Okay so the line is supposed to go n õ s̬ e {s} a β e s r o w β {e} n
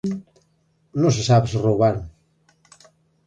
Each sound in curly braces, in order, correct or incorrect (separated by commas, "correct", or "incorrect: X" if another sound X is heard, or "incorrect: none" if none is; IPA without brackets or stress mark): correct, incorrect: a